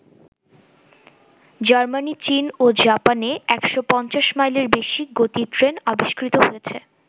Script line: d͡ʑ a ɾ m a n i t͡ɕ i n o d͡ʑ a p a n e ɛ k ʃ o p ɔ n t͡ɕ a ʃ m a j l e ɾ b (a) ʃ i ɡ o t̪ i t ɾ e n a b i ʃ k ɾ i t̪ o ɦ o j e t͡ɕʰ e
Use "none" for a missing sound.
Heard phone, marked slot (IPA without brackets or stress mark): e